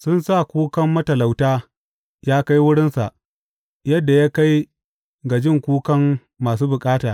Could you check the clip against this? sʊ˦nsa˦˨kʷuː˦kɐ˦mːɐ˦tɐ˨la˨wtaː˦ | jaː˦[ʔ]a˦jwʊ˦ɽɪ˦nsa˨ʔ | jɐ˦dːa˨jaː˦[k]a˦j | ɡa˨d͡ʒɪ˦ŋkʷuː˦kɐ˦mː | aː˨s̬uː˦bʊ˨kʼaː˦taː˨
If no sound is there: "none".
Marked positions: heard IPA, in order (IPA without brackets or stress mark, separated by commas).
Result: k, k